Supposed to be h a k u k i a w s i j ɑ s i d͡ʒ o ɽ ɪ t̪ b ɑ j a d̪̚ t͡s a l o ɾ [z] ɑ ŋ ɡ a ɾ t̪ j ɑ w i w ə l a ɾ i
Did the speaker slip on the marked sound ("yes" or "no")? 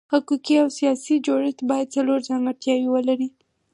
no